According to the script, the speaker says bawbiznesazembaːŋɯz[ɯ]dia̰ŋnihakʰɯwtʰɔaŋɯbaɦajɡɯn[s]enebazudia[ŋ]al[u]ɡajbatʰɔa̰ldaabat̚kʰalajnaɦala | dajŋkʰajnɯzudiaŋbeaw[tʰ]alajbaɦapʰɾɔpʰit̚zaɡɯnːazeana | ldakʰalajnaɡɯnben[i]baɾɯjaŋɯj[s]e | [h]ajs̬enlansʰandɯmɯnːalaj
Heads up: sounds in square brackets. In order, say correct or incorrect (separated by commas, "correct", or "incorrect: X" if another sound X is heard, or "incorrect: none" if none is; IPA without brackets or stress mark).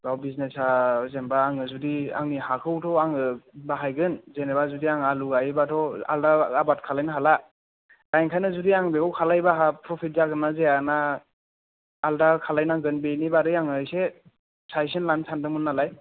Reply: incorrect: u, incorrect: z, correct, correct, incorrect: kʰ, correct, correct, incorrect: s